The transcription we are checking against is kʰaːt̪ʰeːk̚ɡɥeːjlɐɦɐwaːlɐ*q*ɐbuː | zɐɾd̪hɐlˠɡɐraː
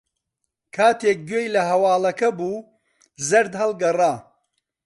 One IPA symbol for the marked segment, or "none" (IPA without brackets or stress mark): k